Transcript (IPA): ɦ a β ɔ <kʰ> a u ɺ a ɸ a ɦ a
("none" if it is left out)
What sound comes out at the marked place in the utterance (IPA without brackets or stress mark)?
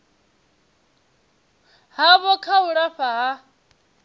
kʰ